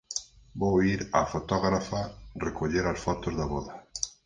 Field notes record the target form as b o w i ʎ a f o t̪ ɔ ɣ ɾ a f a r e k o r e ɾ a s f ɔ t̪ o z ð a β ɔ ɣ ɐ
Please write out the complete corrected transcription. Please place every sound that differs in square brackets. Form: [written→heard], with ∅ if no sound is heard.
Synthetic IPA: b o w i [ʎ→ɾ] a f o t̪ ɔ ɣ ɾ a f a r e k o [r→ʎ] e ɾ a s f ɔ t̪ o z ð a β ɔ [ɣ→ð] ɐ